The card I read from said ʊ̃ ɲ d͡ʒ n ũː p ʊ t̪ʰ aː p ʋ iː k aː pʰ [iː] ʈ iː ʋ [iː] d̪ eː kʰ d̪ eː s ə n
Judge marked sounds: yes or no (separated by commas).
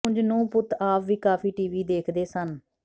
yes, yes